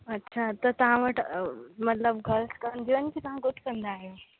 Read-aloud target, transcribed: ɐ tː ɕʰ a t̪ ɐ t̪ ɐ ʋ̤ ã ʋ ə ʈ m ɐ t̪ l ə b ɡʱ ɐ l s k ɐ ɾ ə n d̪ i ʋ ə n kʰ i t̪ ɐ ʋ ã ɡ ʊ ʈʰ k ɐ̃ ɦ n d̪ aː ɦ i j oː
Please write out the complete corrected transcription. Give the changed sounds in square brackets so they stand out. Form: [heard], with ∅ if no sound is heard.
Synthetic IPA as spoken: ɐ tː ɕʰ a t̪ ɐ t̪ ɐ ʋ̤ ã ʋ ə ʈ m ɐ t̪ l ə b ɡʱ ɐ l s k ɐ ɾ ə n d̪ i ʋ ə n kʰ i t̪ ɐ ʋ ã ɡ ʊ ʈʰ k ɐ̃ [∅] n d̪ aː ɦ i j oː